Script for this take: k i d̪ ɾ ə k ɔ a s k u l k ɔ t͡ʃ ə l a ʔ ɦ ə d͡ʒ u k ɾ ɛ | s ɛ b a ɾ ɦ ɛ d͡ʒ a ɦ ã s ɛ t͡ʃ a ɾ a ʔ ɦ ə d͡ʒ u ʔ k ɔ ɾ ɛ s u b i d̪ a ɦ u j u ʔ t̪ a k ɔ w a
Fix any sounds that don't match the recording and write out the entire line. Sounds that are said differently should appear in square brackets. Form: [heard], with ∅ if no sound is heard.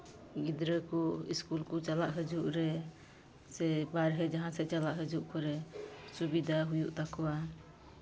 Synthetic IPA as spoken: [ɡ] i d̪ ɾ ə k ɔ [i] s k u l k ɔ t͡ʃ [a] l a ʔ ɦ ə d͡ʒ u [ʔ] ɾ ɛ | s ɛ b a ɾ ɦ ɛ d͡ʒ a ɦ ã s ɛ t͡ʃ a [l] a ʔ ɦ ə d͡ʒ u ʔ k ɔ ɾ ɛ s u b i d̪ a ɦ u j u ʔ t̪ a k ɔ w a